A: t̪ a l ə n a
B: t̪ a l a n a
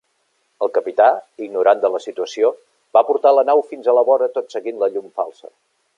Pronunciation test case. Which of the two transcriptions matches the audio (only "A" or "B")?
A